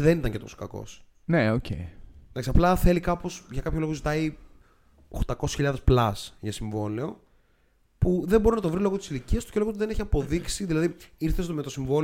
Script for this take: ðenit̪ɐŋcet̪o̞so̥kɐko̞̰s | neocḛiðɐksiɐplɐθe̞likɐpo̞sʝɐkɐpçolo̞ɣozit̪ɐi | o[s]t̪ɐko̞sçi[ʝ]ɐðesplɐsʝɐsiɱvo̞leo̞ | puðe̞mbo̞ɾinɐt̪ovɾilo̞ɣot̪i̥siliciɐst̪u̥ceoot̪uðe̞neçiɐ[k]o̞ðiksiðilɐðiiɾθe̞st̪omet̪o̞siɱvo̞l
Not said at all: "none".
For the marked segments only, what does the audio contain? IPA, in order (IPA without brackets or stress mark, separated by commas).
x, ʎ, p